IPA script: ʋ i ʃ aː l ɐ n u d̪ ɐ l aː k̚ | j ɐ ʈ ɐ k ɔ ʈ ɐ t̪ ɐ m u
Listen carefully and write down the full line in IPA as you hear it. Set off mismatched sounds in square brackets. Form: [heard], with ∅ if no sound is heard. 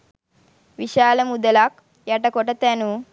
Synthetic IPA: ʋ i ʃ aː l ɐ [m] u d̪ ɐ l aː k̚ | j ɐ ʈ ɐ k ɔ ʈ ɐ t̪ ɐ [n] u